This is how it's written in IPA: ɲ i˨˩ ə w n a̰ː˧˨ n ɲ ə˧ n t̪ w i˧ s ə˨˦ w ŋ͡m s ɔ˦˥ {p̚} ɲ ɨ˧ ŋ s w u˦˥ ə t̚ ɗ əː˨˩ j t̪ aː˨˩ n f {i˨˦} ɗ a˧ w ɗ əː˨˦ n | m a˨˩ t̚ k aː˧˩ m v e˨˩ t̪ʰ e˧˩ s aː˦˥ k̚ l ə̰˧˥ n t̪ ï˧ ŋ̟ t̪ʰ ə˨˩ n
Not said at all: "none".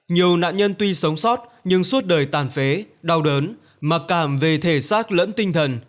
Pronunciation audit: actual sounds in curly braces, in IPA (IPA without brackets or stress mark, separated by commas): t̚, e˨˦